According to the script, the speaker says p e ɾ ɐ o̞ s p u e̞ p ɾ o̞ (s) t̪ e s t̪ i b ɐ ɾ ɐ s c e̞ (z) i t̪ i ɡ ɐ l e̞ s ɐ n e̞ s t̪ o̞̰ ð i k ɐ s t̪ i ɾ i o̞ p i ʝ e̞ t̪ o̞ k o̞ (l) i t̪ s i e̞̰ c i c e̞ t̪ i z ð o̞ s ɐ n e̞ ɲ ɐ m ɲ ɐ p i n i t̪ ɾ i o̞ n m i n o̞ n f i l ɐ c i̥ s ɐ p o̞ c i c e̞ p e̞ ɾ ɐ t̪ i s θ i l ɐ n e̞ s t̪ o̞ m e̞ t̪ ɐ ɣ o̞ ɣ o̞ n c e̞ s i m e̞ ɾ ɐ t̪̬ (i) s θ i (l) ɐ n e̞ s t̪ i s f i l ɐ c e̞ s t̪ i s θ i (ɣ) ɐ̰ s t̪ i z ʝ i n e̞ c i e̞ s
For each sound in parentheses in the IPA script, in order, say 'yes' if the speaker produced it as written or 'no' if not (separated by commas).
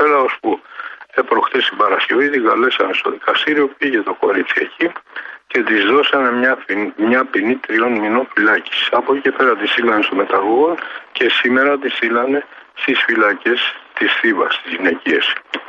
no, no, no, yes, yes, no